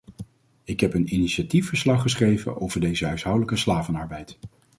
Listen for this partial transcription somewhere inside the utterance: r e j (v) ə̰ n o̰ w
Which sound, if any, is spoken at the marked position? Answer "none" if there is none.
v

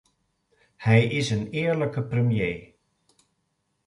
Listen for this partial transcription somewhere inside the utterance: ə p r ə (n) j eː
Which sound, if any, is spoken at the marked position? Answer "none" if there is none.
m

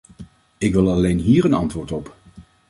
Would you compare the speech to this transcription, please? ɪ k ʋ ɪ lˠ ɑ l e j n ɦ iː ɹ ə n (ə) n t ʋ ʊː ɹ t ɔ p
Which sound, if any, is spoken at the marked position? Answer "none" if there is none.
ɑ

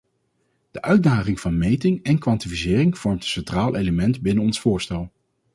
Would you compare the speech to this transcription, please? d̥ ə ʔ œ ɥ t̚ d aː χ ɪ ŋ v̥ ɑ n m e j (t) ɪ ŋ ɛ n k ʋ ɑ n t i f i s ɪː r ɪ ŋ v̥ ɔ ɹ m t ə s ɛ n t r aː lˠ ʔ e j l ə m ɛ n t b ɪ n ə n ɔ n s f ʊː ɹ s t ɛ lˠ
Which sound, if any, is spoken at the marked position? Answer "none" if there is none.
t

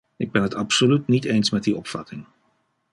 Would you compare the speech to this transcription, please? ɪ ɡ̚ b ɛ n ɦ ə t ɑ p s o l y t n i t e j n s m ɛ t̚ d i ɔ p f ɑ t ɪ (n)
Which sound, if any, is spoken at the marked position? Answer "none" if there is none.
ŋ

